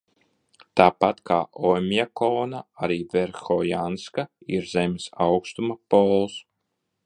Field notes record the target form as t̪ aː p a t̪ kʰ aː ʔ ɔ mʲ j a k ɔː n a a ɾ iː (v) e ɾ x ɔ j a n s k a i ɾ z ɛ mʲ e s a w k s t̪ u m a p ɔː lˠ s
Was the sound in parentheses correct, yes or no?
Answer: yes